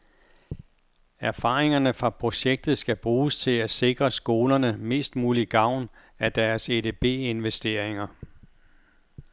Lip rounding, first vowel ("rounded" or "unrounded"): unrounded